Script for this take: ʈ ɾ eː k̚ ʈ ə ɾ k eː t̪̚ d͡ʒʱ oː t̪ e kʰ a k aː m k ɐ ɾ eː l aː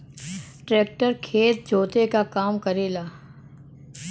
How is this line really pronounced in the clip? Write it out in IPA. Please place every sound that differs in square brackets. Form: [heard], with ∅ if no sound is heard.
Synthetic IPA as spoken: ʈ ɾ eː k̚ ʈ ə ɾ [kʰ] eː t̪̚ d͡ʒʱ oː t̪ e [k] a k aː m k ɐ ɾ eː l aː